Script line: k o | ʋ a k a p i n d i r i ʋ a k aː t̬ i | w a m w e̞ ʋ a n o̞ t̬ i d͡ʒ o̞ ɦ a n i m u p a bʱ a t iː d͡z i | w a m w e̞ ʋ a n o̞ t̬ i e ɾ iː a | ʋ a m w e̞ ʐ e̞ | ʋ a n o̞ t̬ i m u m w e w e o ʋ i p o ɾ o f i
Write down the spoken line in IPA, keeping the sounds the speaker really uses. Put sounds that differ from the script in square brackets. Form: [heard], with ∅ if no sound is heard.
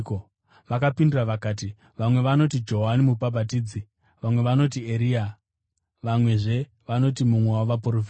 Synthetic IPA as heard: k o | ʋ a k a p i n d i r [a] ʋ a k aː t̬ i | [ʋ] a m w e̞ ʋ a n o̞ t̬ i d͡ʒ o̞ ɦ a n i m u p a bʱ a t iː d͡z i | [ʋ] a m w e̞ ʋ a n o̞ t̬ i e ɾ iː a | ʋ a m w e̞ ʐ e̞ | ʋ a n o̞ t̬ i m u m w e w [a] o ʋ [a] p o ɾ o f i

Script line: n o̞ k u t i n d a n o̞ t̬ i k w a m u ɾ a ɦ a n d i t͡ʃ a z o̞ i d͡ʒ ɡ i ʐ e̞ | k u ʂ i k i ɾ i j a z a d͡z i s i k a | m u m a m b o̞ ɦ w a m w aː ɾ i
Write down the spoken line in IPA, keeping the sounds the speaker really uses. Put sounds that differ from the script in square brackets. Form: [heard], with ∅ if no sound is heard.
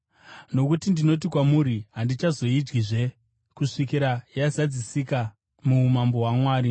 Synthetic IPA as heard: n o̞ k u t i n d [i] n o̞ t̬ i k w a m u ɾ [i] ɦ a n d i t͡ʃ a z o̞ i d͡ʒ ɡ i ʐ e̞ | k u ʂ i k i ɾ [a] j a z a d͡z i s i k a | m u m a m b o̞ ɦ w a m w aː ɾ i

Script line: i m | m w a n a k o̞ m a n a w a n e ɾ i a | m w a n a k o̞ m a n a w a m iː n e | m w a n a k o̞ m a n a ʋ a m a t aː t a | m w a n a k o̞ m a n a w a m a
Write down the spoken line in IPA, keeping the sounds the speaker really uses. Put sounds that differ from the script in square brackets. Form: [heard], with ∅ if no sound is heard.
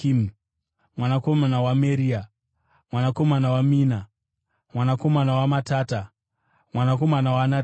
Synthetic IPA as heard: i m | m w a n a k o̞ m a n a w a [m] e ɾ i a | m w a n a k o̞ m a n a w a m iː n [a] | m w a n a k o̞ m a n a [w] a m a t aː t a | m w a n a k o̞ m a n a w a [n] a

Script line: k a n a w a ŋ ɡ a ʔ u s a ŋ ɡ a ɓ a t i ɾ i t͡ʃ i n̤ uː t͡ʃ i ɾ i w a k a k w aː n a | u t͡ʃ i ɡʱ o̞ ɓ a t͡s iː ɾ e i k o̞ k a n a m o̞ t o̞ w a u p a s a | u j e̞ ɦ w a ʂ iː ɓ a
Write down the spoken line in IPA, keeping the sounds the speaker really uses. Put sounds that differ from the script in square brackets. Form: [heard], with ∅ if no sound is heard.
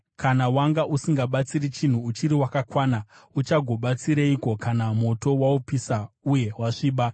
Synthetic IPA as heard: k a n a w a ŋ ɡ a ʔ u s [i] ŋ ɡ a ɓ a [t͡s] i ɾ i t͡ʃ i n̤ uː t͡ʃ i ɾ i w a k a k w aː n a | u t͡ʃ [a] ɡʱ o̞ ɓ a t͡s [i] ɾ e i k o̞ k a n a m o̞ t o̞ w a u p [i] s a | u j e̞ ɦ w a ʂ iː ɓ a

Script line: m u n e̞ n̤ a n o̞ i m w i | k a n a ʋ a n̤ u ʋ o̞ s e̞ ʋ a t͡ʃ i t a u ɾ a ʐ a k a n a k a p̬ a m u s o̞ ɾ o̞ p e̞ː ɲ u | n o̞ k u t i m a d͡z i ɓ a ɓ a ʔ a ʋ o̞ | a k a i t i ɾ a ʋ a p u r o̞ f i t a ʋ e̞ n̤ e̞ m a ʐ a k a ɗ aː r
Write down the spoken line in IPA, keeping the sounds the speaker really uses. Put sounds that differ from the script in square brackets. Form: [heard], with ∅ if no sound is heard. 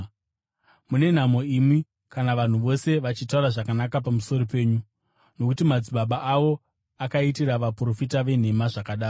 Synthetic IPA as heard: m u n e̞ n̤ a [m] o̞ i m w i | k a n a ʋ a n̤ u ʋ o̞ s e̞ ʋ a t͡ʃ i t a u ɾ a ʐ a k a n a k a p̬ a m u s o̞ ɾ o̞ p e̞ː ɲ u | n o̞ k u t i m a d͡z i ɓ a ɓ a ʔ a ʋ o̞ | a k a i t i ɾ a ʋ a p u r o̞ f i t a ʋ e̞ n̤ e̞ m a ʐ a k a ɗ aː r

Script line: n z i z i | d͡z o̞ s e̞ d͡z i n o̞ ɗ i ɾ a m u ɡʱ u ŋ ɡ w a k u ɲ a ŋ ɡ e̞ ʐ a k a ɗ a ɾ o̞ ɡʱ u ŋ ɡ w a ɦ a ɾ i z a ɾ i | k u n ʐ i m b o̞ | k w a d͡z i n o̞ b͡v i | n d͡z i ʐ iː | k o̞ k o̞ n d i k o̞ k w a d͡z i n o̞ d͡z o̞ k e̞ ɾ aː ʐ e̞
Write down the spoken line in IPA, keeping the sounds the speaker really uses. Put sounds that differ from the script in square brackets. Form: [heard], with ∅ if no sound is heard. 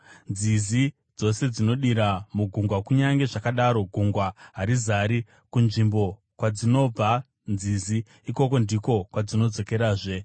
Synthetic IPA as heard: n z i z i | d͡z o̞ s e̞ d͡z i n o̞ ɗ i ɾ a m u ɡʱ u ŋ ɡ w a k u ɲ a ŋ ɡ e̞ ʐ a k a ɗ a ɾ o̞ ɡʱ u ŋ ɡ w a ɦ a ɾ i z a ɾ i | k u n ʐ i m b o̞ | k w a d͡z i n o̞ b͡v [a] | n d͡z i [z] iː | k o̞ k o̞ n d i k o̞ k w a d͡z i n o̞ d͡z o̞ k e̞ ɾ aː ʐ e̞

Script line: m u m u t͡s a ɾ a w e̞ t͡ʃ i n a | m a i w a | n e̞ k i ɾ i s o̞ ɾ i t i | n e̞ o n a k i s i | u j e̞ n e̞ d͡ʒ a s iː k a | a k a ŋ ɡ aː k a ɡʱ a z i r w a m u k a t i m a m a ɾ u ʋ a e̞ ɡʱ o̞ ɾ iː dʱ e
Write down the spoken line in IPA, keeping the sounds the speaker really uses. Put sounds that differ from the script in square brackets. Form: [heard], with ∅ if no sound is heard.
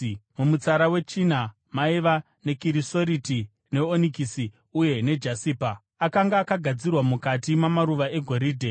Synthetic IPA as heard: m u m u t͡s a ɾ a w e̞ t͡ʃ i n a | m a i [ʋ] a | n e̞ k i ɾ i s o̞ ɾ i t i | n e̞ o n [i] k i s i | u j e̞ n e̞ d͡ʒ a s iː [p] a | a k a ŋ ɡ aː k a ɡʱ a [d͡z] i r w a m u k a t i m a m a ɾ u ʋ a e̞ ɡʱ o̞ ɾ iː dʱ e

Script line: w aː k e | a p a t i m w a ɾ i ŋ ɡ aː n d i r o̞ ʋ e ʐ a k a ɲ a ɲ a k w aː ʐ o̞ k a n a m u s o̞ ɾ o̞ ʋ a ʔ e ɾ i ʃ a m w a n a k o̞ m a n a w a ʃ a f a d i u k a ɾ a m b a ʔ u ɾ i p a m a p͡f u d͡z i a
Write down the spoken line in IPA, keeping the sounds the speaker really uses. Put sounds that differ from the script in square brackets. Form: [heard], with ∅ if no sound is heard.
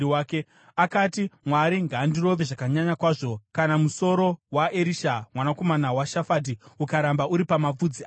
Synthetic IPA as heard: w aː k e | a [k] a t i m w a ɾ i ŋ ɡ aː n d i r o̞ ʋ e ʐ a k a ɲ a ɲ a k w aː ʐ o̞ k a n a m u s o̞ ɾ o̞ [w] a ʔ e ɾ i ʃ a m w a n a k o̞ m a n a w a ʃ a f a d i u k a ɾ a m b a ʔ u ɾ i p a m a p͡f u d͡z i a

